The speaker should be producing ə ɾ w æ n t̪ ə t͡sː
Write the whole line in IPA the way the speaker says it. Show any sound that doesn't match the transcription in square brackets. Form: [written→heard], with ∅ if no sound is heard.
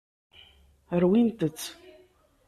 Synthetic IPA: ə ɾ w [æ→i] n t̪ ə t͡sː